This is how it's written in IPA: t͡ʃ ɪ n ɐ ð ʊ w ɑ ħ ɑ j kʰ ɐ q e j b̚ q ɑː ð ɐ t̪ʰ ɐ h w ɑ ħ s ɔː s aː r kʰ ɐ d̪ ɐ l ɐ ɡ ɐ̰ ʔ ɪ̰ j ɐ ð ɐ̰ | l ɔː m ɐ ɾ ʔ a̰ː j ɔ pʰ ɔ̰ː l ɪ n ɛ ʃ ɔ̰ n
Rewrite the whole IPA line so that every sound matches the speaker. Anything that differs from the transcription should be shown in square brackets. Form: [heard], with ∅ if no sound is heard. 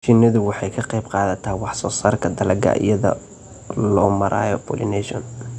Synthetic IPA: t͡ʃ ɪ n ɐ ð ʊ w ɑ ħ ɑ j kʰ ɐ q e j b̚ q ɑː ð ɐ t̪ʰ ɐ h w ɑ ħ s ɔː s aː r kʰ ɐ d̪ ɐ l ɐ ɡ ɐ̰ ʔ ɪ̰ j ɐ ð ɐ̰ | l ɔː m ɐ ɾ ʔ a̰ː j ɔ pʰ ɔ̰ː l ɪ n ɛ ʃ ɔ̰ n